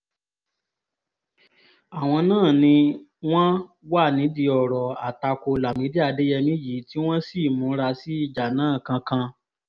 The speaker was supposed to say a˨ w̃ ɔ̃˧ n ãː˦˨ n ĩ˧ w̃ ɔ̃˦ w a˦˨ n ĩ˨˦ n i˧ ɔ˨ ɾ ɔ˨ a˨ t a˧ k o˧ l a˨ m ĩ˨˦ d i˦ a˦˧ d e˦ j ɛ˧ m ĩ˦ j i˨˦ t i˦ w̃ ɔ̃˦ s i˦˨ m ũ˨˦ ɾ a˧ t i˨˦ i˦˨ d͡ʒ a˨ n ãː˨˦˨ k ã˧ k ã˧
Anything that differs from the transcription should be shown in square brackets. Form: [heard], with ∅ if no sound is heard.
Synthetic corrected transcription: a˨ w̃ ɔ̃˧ n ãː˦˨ n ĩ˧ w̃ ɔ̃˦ w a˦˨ n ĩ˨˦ [d] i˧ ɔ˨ ɾ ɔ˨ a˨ t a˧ k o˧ l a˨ m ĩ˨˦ d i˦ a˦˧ d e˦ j ɛ˧ m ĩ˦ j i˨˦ t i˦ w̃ ɔ̃˦ s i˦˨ m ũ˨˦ ɾ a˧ [s] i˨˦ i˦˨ d͡ʒ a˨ n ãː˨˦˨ k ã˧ k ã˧